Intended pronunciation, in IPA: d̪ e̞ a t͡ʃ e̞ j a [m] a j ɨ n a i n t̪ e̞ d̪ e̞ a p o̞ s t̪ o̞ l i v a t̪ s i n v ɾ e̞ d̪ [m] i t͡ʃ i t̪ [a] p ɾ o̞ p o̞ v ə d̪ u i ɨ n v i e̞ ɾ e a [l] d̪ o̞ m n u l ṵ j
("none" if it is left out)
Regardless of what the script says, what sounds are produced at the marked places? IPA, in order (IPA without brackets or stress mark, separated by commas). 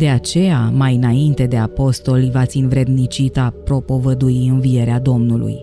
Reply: m, n, a, none